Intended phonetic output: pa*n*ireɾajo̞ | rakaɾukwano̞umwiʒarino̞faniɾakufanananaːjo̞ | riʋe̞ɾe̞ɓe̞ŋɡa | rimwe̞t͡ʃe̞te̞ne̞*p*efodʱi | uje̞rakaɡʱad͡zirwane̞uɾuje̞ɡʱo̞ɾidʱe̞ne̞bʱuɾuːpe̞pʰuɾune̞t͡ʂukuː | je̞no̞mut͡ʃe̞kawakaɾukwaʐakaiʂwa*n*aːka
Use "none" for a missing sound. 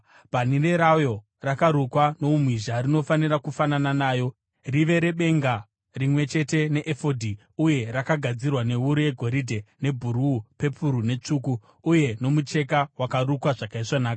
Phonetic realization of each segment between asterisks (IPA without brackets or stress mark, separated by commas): n, ʔ, n